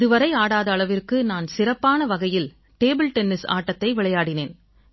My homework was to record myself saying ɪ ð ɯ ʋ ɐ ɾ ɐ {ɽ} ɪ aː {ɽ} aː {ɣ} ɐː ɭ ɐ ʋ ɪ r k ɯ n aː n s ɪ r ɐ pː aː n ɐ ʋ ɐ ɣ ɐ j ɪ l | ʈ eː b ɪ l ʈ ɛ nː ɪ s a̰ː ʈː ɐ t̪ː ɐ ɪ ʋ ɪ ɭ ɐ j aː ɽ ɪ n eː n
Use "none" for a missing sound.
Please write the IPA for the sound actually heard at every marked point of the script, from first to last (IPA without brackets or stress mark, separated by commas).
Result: none, ɽ, ð